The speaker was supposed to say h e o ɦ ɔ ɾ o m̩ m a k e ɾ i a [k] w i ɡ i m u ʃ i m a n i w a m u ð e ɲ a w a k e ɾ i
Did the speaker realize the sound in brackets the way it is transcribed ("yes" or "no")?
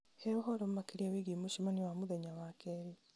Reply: no